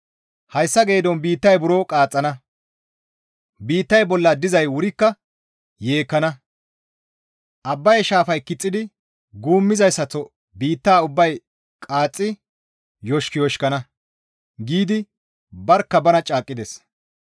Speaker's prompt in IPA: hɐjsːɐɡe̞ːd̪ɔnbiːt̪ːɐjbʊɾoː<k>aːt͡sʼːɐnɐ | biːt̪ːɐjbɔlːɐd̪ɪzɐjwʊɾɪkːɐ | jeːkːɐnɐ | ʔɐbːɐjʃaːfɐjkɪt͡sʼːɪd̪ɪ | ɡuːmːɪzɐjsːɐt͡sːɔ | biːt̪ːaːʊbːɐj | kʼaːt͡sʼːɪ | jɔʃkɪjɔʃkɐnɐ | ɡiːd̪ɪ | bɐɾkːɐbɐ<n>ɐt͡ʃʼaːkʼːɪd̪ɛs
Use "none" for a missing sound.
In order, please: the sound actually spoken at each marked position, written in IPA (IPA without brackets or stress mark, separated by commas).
kʼ, n